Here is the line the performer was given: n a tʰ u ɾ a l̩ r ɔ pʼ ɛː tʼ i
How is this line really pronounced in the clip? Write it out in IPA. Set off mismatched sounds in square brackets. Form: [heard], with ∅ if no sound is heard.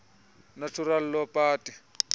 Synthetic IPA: n a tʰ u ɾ a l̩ [l] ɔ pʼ [aː] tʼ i